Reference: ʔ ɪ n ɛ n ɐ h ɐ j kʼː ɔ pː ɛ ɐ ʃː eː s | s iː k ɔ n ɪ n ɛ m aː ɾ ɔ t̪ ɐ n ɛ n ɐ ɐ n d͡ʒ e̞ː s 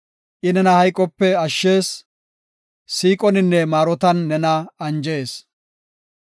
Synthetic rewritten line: ʔ ɪ n ɛ n ɐ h ɐ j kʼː ɔ pː ɛ ɐ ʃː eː s | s iː kʼ ɔ n ɪ nː ɛ m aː ɾ ɔ t̪ ɐ nː ɛ n ɐ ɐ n d͡ʒ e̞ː s